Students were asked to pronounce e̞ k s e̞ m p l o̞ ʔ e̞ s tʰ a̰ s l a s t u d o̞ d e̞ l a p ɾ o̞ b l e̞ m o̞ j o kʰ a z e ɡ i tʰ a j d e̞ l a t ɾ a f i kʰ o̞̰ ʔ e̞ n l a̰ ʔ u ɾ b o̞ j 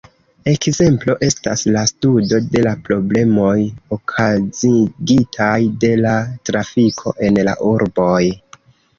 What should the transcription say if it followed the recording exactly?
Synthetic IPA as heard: e̞ k z e̞ m p l o̞ ʔ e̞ s t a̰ s l a s t u d o̞ d e̞ l a p ɾ o̞ b l e̞ m o̞ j o kʰ a z i ɡ i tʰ a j d e̞ l a t ɾ a f i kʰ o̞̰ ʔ e̞ n l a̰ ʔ u ɾ b o̞ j